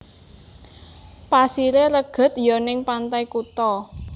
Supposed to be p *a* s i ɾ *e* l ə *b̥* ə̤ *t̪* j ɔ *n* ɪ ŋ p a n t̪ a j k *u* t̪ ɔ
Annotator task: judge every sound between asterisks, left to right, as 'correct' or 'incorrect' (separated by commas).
correct, correct, incorrect, correct, correct, correct